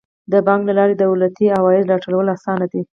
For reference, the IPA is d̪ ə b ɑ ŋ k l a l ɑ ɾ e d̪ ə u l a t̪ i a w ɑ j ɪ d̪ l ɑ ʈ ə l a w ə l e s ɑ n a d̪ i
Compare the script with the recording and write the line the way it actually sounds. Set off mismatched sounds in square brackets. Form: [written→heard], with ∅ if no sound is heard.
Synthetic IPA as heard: d̪ ə b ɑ ŋ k l a l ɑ ɾ e d̪ ə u l a t̪ i a w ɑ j ɪ d̪ l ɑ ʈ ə l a w ə l [e→a] s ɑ n a d̪ i